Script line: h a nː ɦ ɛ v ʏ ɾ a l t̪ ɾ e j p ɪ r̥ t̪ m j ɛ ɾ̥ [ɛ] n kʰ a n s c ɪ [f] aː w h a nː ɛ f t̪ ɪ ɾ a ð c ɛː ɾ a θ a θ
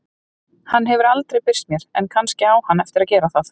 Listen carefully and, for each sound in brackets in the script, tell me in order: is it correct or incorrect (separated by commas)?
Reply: correct, incorrect